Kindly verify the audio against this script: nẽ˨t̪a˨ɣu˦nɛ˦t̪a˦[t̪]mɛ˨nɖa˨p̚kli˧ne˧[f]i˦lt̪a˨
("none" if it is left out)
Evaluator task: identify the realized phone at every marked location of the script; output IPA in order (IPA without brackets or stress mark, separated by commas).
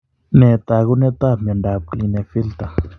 none, f